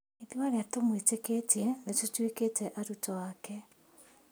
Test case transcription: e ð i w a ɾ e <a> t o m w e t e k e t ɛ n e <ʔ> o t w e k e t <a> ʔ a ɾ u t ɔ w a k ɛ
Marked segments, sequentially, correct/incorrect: correct, incorrect, incorrect

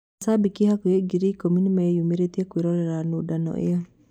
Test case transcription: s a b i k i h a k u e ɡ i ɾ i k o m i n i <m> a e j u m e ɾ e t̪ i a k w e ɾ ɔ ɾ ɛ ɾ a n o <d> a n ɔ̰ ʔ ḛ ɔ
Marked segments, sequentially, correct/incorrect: correct, correct

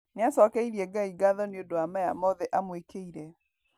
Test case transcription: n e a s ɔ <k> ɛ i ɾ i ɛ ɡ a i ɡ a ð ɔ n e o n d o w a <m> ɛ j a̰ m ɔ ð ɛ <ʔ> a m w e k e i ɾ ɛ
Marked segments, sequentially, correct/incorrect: correct, correct, correct

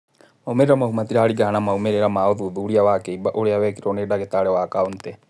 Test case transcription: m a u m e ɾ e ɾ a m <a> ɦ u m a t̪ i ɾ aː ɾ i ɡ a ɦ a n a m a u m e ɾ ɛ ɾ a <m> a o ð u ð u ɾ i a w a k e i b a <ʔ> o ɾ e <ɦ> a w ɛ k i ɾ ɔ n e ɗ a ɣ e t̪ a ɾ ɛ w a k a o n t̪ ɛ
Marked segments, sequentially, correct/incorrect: correct, correct, correct, incorrect

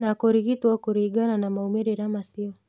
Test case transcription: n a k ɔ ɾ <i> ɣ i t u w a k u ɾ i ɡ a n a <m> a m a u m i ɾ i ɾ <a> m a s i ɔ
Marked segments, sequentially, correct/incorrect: correct, incorrect, correct

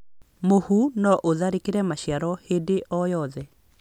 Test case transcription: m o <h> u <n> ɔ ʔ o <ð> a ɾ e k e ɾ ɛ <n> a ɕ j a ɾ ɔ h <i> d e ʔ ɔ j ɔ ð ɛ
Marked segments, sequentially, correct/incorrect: correct, correct, correct, incorrect, incorrect

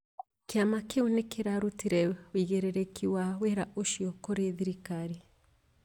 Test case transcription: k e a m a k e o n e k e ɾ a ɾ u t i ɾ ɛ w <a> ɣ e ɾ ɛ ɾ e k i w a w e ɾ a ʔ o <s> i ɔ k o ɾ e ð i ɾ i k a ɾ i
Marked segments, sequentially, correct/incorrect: incorrect, incorrect

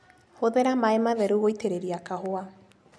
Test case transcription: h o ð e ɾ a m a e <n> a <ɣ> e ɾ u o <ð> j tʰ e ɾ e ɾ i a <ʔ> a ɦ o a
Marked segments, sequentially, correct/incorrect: incorrect, incorrect, incorrect, incorrect

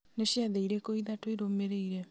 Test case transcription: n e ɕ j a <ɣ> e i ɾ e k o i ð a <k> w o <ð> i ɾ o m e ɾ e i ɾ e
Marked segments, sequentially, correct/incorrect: incorrect, incorrect, incorrect

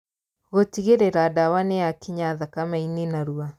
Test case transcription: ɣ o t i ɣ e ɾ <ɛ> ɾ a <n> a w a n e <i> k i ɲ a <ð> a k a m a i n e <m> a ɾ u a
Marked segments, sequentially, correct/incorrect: incorrect, incorrect, incorrect, correct, incorrect

